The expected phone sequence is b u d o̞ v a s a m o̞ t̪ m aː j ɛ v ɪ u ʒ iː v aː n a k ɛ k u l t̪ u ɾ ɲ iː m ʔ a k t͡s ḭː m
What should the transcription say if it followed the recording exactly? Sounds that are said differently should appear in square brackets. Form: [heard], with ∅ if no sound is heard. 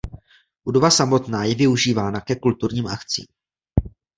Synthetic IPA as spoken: b u d o̞ v a s a m o̞ t̪ [n] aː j ɛ v ɪ u ʒ iː v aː n a k ɛ k u l t̪ u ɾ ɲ iː m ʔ a k t͡s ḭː m

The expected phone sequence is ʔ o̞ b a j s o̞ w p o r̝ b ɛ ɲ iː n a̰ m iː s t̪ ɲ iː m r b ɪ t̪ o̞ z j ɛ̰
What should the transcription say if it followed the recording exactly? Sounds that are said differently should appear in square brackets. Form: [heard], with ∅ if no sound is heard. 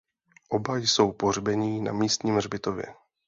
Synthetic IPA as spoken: ʔ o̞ b a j s o̞ w p o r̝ b ɛ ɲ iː n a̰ m iː s t̪ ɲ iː m r b ɪ t̪ o̞ [v] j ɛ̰

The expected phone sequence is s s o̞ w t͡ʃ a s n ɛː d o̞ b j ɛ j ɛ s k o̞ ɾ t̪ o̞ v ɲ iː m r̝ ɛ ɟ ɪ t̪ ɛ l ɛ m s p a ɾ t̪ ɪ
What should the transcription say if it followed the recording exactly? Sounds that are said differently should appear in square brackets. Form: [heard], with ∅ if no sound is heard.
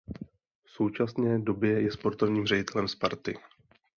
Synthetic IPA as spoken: [f] s o̞ w t͡ʃ a s n ɛː d o̞ b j ɛ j ɛ s [p] o̞ ɾ t̪ o̞ v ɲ iː m r̝ ɛ ɟ ɪ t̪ ɛ l ɛ m s p a ɾ t̪ ɪ

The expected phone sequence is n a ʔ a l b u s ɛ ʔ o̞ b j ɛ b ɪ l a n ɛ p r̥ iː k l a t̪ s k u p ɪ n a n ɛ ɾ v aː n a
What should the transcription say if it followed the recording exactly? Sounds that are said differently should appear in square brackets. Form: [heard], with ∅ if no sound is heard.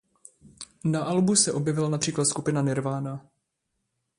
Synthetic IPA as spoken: n a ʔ a l b u s ɛ ʔ o̞ b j ɛ [v] ɪ l a n [a] p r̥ iː k l a t̪ s k u p ɪ n a n ɛ ɾ v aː n a

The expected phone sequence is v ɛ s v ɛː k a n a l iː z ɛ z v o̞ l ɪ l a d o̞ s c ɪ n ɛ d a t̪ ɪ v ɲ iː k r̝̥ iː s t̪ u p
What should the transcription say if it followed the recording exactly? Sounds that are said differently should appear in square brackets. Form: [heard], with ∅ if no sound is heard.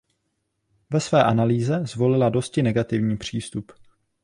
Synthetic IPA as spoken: v ɛ s v ɛː [ʔ] a n a l iː z ɛ z v o̞ l ɪ l a d o̞ s c ɪ n ɛ [ɡ] a t̪ ɪ v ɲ iː [p] r̝̥ iː s t̪ u p

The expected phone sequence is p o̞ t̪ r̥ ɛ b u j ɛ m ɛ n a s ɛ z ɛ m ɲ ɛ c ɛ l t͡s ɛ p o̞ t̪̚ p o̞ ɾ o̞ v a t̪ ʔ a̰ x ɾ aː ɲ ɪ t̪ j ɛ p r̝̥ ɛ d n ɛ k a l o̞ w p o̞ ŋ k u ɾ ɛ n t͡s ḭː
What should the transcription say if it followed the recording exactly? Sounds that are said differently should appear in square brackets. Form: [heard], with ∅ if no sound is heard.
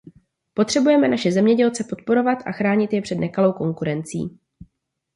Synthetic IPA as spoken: p o̞ t̪ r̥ ɛ b u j ɛ m ɛ n a [ʃ] ɛ z ɛ m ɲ ɛ [ɟ] ɛ l t͡s ɛ p o̞ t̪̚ p o̞ ɾ o̞ v a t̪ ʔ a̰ x ɾ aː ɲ ɪ t̪ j ɛ p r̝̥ ɛ d n ɛ k a l o̞ w [k] o̞ ŋ k u ɾ ɛ n t͡s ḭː

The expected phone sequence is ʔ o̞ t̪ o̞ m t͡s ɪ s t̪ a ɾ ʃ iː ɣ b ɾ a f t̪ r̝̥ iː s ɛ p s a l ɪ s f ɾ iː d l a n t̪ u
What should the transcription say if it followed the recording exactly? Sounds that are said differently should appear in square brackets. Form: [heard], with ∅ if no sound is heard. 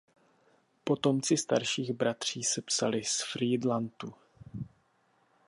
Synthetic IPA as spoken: [p] o̞ t̪ o̞ m t͡s ɪ s t̪ a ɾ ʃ iː ɣ b ɾ a [∅] t̪ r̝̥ iː s ɛ p s a l ɪ s f ɾ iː d l a n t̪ u

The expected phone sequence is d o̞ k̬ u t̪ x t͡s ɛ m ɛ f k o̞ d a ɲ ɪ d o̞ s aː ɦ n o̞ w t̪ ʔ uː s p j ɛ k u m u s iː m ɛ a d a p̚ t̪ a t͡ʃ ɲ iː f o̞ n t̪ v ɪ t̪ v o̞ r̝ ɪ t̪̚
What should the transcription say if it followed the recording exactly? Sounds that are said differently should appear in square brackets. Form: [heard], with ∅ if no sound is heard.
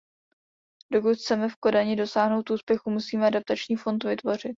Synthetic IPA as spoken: d o̞ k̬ u t̪ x t͡s ɛ m ɛ f k o̞ d a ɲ ɪ d o̞ s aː ɦ n o̞ w t̪ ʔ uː s p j ɛ [x] u m u s iː m ɛ a d a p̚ t̪ a t͡ʃ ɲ iː f o̞ n t̪ v ɪ t̪ v o̞ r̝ ɪ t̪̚

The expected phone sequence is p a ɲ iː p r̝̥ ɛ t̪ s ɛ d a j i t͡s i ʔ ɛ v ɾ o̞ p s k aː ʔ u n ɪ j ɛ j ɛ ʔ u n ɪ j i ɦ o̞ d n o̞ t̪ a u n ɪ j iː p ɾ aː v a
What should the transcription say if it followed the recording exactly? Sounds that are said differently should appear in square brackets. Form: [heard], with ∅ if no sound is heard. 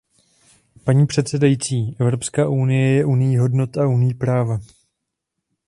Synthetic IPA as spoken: p a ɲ iː p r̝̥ ɛ t̪ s ɛ d a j i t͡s [iː] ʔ ɛ v ɾ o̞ p s k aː ʔ u n ɪ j ɛ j ɛ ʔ u n ɪ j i ɦ o̞ d n o̞ t̪ a u n ɪ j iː p ɾ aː v a

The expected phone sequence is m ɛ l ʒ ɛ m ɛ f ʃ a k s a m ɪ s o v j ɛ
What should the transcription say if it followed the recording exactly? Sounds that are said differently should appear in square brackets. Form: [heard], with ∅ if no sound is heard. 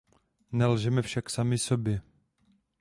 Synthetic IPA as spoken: [n] ɛ l ʒ ɛ m ɛ f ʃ a k s a m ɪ s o [b] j ɛ

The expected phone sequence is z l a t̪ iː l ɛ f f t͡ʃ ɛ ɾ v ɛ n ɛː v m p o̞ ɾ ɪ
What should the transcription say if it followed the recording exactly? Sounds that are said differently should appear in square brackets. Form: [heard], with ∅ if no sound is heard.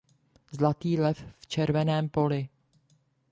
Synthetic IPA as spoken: z l a t̪ iː l ɛ f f t͡ʃ ɛ ɾ v ɛ n ɛː [∅] m p o̞ [l] ɪ

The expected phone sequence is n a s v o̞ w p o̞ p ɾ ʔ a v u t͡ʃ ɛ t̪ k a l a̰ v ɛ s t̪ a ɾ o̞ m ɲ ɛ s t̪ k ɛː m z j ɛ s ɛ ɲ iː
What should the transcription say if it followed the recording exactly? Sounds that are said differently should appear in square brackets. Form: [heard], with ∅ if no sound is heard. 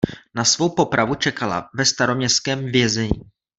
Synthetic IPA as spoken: n a s v o̞ w p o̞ p ɾ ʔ a v u t͡ʃ ɛ [∅] k a l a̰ v ɛ s t̪ a ɾ o̞ m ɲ ɛ s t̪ k ɛː m [v] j ɛ [z] ɛ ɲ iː

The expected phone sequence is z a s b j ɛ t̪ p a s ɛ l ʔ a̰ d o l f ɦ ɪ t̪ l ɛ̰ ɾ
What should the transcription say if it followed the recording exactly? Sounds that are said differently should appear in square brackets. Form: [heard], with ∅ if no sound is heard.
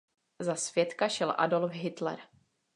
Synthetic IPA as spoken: z a s [v] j ɛ t̪ [k] a [ʃ] ɛ l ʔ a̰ d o l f ɦ ɪ t̪ l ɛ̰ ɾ

